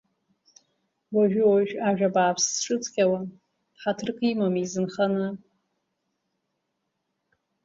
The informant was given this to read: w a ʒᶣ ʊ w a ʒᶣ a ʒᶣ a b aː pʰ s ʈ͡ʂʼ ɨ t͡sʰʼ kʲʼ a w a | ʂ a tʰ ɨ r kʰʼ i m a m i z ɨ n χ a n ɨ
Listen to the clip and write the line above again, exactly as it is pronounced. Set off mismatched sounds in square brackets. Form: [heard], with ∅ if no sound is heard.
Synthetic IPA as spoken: w a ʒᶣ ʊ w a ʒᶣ a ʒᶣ a b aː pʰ s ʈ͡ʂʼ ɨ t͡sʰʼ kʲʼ a w a | [ħ] a tʰ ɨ r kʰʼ i m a m i z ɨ n χ a n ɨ